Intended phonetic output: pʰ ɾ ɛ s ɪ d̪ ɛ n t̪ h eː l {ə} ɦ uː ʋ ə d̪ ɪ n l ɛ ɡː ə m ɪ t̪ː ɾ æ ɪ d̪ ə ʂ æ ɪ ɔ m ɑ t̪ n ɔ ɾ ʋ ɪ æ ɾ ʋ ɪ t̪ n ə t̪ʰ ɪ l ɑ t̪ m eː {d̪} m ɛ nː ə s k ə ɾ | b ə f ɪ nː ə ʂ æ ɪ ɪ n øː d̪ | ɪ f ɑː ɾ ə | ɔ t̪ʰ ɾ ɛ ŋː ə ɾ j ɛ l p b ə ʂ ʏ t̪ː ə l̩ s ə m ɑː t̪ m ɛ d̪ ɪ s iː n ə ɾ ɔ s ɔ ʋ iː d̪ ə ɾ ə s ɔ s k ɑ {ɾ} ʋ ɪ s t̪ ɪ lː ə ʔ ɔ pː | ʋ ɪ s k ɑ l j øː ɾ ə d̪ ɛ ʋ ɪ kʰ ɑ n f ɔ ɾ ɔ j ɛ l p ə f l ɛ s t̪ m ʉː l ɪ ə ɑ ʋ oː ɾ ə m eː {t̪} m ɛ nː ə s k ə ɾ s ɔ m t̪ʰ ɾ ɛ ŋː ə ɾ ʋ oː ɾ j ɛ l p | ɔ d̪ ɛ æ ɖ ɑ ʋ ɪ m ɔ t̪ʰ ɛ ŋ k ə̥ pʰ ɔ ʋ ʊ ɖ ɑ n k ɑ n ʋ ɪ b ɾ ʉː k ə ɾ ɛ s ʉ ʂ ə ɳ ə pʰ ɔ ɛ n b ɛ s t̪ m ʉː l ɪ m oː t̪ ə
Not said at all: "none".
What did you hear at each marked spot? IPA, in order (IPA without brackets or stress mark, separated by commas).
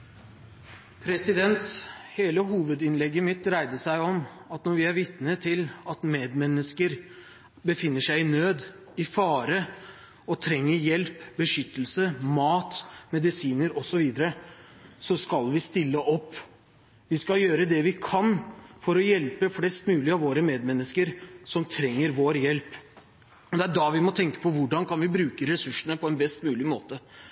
ə, d̪, l, d̪